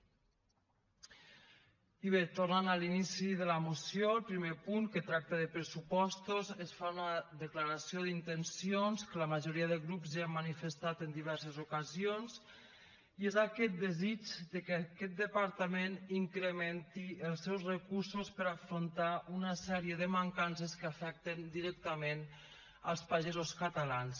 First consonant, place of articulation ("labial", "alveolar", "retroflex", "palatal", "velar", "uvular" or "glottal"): labial